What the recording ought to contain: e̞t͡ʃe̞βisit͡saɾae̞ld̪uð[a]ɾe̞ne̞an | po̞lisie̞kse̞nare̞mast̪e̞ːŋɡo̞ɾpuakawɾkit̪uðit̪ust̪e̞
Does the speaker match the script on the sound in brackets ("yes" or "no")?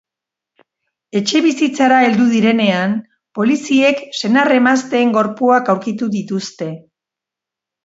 no